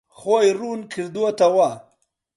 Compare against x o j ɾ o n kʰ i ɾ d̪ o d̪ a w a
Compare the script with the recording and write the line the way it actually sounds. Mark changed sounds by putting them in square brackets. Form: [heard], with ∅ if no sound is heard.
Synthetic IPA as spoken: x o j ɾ [u] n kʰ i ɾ d̪ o [t̪] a w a